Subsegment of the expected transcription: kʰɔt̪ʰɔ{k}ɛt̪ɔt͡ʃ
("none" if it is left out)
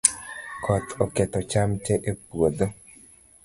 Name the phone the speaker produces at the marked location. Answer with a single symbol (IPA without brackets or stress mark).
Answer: k